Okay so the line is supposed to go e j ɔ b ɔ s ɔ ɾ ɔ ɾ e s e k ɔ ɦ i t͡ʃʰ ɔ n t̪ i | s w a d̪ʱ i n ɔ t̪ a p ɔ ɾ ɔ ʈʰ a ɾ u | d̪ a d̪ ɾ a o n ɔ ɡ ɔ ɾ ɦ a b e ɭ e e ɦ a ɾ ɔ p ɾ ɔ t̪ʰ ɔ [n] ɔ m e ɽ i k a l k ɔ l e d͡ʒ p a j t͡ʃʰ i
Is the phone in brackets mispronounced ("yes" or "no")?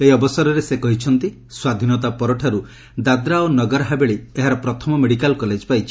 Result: yes